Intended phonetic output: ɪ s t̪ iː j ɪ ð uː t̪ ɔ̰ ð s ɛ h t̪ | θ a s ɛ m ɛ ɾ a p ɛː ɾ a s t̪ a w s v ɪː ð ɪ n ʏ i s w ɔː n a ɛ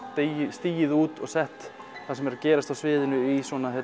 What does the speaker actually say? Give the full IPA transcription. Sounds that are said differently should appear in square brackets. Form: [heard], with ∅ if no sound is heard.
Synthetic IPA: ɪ s t̪ iː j ɪ ð uː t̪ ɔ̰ [ɣ] s ɛ h t̪ | θ a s ɛ m ɛ ɾ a [c] ɛː ɾ a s t̪ a w s v ɪː ð ɪ n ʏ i s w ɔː n a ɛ